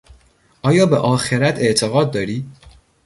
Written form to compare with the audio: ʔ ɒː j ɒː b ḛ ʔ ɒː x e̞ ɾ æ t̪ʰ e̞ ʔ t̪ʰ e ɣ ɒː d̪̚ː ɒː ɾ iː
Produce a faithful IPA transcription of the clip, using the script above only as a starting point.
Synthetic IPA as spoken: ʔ ɒː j ɒː b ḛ ʔ ɒː x e̞ ɾ æ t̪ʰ e̞ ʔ t̪ʰ e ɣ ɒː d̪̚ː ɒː ɾ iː